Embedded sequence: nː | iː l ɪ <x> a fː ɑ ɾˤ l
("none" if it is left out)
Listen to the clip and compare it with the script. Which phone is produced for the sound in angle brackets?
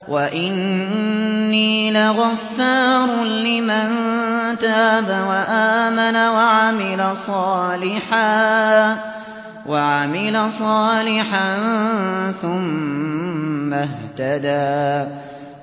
ɣ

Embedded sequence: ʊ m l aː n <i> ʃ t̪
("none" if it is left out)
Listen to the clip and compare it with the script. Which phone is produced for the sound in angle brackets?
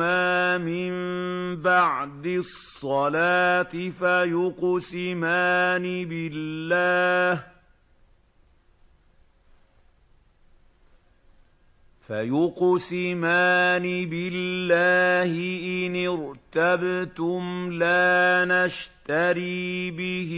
a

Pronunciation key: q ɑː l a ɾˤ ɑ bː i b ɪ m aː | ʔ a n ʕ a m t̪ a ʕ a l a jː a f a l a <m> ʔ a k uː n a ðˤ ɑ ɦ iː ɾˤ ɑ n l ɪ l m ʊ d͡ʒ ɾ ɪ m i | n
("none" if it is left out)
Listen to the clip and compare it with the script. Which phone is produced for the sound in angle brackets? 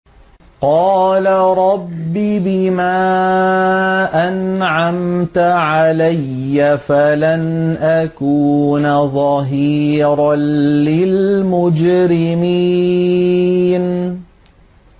n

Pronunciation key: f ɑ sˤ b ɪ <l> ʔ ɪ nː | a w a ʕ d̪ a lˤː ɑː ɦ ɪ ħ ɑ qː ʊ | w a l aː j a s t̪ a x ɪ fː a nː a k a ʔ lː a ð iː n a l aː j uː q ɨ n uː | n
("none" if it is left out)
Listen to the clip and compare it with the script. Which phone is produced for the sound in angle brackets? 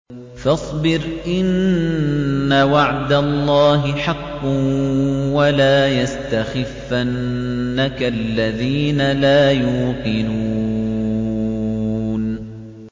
ɾ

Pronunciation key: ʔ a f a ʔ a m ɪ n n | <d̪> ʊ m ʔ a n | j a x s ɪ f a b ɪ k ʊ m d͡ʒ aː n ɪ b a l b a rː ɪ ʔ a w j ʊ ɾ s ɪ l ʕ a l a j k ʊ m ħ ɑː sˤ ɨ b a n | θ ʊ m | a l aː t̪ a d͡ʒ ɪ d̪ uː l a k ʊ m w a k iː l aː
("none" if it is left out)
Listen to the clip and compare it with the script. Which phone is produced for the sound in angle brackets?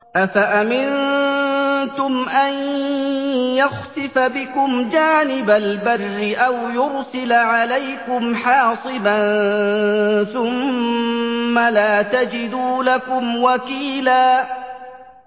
t̪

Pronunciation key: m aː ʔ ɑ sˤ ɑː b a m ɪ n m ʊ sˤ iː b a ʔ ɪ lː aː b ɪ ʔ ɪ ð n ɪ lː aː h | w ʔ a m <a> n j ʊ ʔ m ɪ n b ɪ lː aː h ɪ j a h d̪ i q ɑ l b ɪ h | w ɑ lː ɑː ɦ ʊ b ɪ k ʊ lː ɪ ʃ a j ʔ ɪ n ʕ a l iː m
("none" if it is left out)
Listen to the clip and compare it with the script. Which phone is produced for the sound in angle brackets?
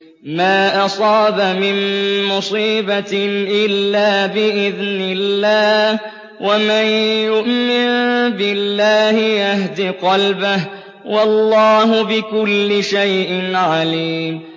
a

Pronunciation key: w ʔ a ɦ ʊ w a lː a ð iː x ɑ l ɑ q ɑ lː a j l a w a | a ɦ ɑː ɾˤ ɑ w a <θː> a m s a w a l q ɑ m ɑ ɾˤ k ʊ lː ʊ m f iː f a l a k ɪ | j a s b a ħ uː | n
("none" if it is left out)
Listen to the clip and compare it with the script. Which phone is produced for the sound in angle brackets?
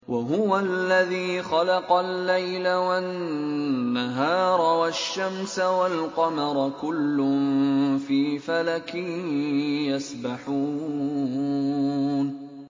ʃː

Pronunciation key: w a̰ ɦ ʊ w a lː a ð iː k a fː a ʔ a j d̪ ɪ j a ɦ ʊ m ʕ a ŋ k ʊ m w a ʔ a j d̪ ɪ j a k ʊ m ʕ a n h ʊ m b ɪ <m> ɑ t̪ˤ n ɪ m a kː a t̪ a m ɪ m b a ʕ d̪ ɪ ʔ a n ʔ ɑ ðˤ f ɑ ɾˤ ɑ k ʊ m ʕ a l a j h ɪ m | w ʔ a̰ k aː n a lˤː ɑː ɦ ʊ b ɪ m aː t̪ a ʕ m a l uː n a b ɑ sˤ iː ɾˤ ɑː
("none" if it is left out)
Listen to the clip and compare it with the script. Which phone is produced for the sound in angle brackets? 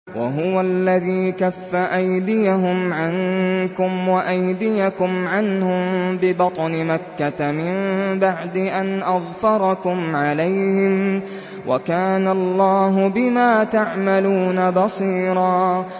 b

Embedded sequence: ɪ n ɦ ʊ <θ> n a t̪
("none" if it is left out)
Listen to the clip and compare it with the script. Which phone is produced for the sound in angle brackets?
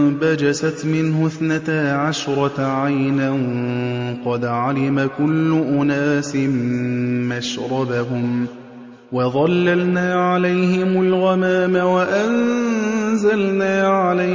θ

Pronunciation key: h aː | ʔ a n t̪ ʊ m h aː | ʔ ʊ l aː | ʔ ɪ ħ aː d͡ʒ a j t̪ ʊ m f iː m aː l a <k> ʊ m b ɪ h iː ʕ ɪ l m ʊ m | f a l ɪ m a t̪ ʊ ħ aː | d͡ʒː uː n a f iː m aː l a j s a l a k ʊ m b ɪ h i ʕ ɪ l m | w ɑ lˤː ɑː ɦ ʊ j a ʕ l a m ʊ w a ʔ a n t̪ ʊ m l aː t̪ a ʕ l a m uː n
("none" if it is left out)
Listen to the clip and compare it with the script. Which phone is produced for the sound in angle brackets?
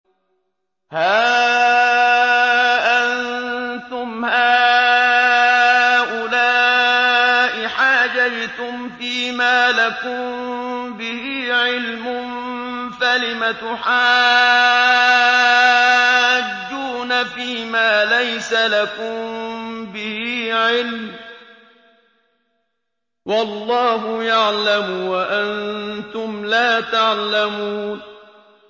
k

